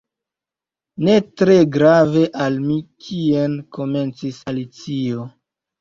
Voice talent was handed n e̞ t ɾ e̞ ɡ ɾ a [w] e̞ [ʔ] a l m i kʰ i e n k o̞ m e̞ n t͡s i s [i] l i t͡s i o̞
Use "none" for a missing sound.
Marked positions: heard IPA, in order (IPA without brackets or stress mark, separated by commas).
v, ʔ, a